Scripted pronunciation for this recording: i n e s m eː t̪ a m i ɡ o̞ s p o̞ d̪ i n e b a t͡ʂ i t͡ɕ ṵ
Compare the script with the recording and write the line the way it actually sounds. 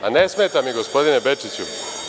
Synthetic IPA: a n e s m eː t̪ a m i ɡ o̞ s p o̞ d̪ i n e b e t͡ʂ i t͡ɕ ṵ

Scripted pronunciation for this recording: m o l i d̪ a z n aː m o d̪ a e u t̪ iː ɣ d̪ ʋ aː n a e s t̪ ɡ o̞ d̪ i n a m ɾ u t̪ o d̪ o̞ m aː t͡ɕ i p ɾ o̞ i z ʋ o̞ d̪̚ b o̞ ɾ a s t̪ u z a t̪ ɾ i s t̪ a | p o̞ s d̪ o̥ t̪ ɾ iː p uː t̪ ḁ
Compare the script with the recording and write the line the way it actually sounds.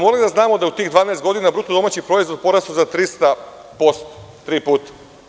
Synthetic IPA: m o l i d̪ a z n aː m o d̪ a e u t̪ iː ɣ d̪ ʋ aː n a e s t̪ ɡ o̞ d̪ i n a b ɾ u t̪ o d̪ o̞ m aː t͡ɕ i p ɾ o̞ i z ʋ o̞ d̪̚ p o̞ ɾ a s t̪ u z a t̪ ɾ i s t̪ a | p o̞ s t̪ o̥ t̪ ɾ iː p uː t̪ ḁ

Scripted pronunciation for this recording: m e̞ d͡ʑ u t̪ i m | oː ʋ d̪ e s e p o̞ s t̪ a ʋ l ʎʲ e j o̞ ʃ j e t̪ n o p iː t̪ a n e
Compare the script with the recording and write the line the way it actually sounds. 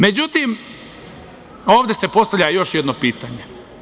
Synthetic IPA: m e̞ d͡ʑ u t̪ i m | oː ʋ d̪ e s e p o̞ s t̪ a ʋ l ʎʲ a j o̞ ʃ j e d̪ n o p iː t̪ a ɲ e

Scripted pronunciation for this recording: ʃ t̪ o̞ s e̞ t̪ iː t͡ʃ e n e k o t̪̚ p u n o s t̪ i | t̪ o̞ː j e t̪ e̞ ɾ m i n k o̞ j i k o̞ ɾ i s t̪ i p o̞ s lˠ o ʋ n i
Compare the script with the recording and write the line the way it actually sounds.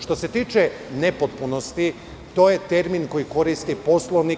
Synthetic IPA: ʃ t̪ o̞ s e̞ t̪ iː t͡ʃ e n e p o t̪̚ p u n o s t̪ i | t̪ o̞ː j e t̪ e̞ ɾ m i n k o̞ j i k o̞ ɾ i s t̪ i p o̞ s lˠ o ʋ n i

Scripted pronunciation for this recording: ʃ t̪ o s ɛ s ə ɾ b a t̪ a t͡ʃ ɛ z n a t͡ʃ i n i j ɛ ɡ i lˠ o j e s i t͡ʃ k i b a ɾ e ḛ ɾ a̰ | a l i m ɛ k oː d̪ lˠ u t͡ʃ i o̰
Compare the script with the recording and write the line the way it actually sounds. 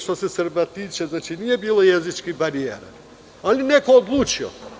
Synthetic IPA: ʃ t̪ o s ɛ s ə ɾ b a t̪ i t͡ʃ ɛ z n a t͡ʃ i n i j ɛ b i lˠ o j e z i t͡ʃ k i b a ɾ i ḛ ɾ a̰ | a l i n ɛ k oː d̪ lˠ u t͡ʃ i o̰

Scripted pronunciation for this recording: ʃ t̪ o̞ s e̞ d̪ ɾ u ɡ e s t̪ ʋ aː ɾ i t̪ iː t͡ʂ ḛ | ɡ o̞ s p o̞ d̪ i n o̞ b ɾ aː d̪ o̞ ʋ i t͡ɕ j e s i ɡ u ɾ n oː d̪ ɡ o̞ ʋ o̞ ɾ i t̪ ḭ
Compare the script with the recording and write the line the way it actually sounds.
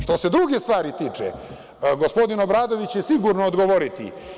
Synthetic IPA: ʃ t̪ o̞ s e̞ d̪ ɾ u ɡ e s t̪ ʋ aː ɾ i t̪ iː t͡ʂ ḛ | ɡ o̞ s p o̞ d̪ i n o̞ b ɾ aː d̪ o̞ ʋ i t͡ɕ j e s i ɡ u ɾ n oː d̪ ɡ o̞ ʋ o̞ ɾ i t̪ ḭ

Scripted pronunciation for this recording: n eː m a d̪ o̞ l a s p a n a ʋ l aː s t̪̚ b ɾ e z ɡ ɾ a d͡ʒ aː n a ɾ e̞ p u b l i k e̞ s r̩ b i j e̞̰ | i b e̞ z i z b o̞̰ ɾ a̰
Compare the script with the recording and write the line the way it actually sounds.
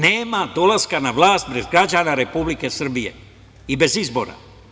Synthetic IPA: n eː m a d̪ o̞ l a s k a n a ʋ l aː s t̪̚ b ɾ e z ɡ ɾ a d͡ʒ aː n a ɾ e̞ p u b l i k e̞ s r̩ b i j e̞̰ | i b e̞ z i z b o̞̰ ɾ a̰

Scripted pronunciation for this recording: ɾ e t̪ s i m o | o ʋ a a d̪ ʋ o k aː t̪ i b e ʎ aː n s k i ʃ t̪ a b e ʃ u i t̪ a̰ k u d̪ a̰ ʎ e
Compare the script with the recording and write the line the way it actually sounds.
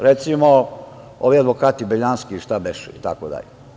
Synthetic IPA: ɾ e t̪ s i m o | o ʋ i a d̪ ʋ o k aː t̪ i b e ʎ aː n s k i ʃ t̪ a b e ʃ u i t̪ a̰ k o d̪ a̰ ʎ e

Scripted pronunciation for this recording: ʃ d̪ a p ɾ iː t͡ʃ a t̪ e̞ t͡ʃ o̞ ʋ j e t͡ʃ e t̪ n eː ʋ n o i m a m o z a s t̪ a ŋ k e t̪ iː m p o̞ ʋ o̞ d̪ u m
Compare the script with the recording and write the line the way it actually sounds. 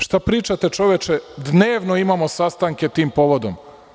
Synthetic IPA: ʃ t̪ a p ɾ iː t͡ʃ a t̪ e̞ t͡ʃ o̞ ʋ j e t͡ʃ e d̪ n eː ʋ n o i m a m o s a s t̪ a ŋ k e t̪ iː m p o̞ ʋ o̞ d̪ o m

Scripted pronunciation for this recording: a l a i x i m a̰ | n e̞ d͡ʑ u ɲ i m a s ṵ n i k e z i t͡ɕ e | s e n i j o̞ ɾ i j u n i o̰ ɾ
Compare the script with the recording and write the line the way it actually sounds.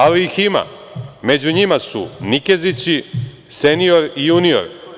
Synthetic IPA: a l i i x i m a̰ | m e̞ d͡ʑ u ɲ i m a s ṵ n i k e z i t͡ɕ i | s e n i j o̞ ɾ i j u n i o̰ ɾ

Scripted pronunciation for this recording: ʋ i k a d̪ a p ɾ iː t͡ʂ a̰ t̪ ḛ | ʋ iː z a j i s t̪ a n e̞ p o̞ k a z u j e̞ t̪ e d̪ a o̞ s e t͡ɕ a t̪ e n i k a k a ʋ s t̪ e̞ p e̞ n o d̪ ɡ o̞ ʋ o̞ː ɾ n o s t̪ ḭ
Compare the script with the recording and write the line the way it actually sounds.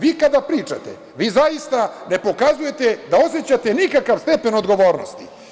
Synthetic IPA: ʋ i k a d̪ a p ɾ iː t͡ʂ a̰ t̪ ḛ | ʋ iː z a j i s t̪ a n e̞ p o̞ k a z u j e̞ t̪ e d̪ a o̞ s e t͡ɕ a t̪ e n i k a k a ʋ s t̪ e̞ p e̞ n o d̪ ɡ o̞ ʋ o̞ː ɾ n o s t̪ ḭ

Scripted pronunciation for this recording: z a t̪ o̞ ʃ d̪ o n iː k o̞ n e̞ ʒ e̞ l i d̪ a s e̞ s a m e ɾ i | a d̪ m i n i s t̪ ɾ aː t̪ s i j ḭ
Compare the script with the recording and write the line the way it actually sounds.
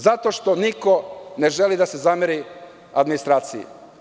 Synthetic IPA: z a t̪ o̞ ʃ t̪ o n i k o̞ n e̞ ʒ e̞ l i d̪ a s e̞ z a m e ɾ i | a d̪ m i n i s t̪ ɾ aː t̪ s i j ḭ

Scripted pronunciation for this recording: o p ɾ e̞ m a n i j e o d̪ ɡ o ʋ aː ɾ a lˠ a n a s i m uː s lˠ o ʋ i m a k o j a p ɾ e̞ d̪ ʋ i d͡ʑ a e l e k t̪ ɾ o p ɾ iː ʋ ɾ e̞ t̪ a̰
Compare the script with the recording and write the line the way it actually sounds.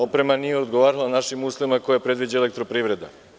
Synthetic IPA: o p ɾ e̞ m a n i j e o d̪ ɡ o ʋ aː ɾ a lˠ a n a ʃ i m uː s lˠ o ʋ i m a k o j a p ɾ e̞ d̪ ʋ i d͡ʑ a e l e k t̪ ɾ o p ɾ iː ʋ ɾ e̞ d̪ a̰

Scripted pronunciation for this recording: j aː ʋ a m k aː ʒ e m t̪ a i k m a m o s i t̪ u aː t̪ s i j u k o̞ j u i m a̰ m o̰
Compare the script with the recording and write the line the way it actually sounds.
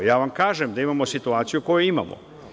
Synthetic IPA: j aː ʋ a m k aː ʒ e m d̪ a i m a m o s i t̪ u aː t̪ s i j u k o̞ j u i m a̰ m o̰

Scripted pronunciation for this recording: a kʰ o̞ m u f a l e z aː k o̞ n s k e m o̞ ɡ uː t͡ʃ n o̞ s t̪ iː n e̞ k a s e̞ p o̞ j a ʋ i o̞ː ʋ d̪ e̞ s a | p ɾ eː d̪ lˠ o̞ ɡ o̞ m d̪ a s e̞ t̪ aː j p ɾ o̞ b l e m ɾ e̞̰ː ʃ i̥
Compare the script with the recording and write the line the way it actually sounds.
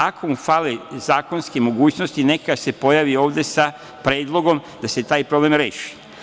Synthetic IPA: a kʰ o̞ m u f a l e z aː k o̞ n s k e m o̞ ɡ uː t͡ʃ n o̞ s t̪ i n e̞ k a s e̞ p o̞ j a ʋ i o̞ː ʋ d̪ e̞ s a | p ɾ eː d̪ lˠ o̞ ɡ o̞ m d̪ a s e̞ t̪ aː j p ɾ o̞ b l e m ɾ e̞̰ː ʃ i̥

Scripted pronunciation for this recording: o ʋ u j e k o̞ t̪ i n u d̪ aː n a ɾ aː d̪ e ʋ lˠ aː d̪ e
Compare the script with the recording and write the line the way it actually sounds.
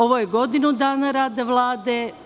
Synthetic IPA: o ʋ o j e ɡ o̞ d̪ i n u d̪ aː n a ɾ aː d̪ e ʋ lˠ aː d̪ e

